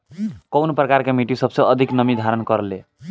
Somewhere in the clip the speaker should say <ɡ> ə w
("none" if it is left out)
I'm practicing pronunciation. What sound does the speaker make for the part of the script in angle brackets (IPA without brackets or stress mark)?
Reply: k